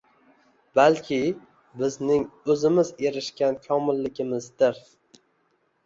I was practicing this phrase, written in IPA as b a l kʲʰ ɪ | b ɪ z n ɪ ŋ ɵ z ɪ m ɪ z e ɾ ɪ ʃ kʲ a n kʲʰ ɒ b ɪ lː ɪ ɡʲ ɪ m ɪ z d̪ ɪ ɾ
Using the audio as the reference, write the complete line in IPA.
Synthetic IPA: b a l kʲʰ ɪ | b ɪ z n ɪ ŋ ɵ z ɪ m ɪ z e ɾ ɪ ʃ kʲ a n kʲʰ ɒ m ɪ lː ɪ ɡʲ ɪ m ɪ z d̪ ɪ ɾ